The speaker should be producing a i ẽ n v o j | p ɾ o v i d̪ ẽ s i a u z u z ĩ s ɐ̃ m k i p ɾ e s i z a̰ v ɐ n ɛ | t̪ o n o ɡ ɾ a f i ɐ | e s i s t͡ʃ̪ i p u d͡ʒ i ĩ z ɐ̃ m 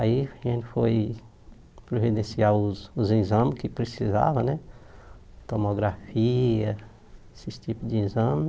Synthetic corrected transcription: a i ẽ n f o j | p ɾ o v i d̪ ẽ s i a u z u z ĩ z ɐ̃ m k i p ɾ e s i z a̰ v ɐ n ɛ | t̪ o m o ɡ ɾ a f i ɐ | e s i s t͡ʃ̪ i p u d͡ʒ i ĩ z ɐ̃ m

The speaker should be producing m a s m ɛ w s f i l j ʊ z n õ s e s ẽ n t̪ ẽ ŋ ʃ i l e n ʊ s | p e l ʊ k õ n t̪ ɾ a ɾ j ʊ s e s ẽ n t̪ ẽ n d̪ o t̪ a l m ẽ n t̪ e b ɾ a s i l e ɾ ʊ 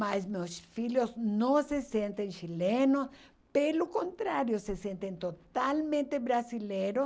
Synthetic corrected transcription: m a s m e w s f i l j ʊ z n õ s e s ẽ n t̪ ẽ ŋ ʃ i l e n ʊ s | p e l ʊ k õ n t̪ ɾ a ɾ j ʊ s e s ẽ n t̪ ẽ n t̪ o t̪ a l m ẽ n t̪ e b ɾ a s i l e ɾ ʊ

